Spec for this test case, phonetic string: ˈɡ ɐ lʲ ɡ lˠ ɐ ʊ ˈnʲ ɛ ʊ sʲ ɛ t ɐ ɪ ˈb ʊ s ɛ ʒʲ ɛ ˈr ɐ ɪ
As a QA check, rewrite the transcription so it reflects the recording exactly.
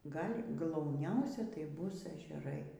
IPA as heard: ˈɡ ɐ lʲ ɡ lˠ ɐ ʊ ˈnʲ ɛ ʊ sʲ ɛ t ɐ ɪ ˈb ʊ s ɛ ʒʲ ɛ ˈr ɐ ɪ